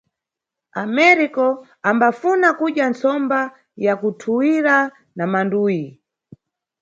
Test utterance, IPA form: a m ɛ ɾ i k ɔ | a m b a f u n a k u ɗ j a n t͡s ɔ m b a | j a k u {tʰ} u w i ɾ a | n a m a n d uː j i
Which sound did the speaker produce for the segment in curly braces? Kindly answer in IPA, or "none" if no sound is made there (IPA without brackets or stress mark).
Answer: tʰ